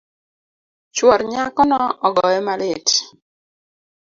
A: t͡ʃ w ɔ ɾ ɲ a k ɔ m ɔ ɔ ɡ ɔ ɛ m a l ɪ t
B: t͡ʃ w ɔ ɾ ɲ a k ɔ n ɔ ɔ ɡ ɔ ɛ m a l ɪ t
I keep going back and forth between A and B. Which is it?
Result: B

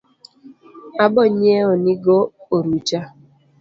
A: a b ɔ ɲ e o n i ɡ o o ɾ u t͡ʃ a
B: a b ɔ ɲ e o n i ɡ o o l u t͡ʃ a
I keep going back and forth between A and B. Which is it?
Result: A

